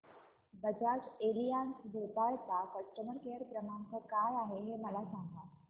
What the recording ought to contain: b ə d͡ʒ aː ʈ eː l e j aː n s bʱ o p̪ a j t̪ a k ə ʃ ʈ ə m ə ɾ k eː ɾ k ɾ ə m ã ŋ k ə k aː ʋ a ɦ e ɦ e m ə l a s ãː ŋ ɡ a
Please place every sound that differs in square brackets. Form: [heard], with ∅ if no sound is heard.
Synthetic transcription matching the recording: b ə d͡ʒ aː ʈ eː l [i] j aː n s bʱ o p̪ a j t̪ a k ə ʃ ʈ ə m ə ɾ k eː ɾ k ɾ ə m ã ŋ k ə k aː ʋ a ɦ e ɦ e m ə l a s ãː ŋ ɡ a